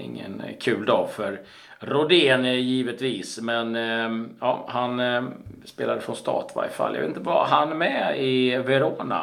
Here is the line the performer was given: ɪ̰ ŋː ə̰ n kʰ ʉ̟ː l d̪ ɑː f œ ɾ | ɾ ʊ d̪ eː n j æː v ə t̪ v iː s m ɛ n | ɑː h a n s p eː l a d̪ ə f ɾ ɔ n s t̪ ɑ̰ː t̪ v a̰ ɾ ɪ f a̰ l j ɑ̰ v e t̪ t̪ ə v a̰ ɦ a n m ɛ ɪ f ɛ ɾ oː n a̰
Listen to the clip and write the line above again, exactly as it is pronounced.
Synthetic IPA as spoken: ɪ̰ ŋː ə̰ n kʰ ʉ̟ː l d̪ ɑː f œ ɾ | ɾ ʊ d̪ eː n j iː v ə t̪ v iː s m ɛ n | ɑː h a n s p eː l a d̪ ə f ɾ ɔ n s t̪ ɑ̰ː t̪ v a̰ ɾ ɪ f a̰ l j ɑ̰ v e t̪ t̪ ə v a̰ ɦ a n m ɛ ɪ v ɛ ɾ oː n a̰